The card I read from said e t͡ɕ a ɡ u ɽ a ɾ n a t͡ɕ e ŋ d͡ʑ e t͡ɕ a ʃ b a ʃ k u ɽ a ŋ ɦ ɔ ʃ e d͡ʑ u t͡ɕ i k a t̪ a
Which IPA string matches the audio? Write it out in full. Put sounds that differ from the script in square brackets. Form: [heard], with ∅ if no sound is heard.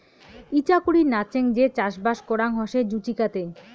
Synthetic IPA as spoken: [i] t͡ɕ a [k] u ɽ [i] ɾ n a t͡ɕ e ŋ d͡ʑ e t͡ɕ a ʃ b a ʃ k [o] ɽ a ŋ ɦ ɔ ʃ e d͡ʑ u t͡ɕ i k a t̪ [e]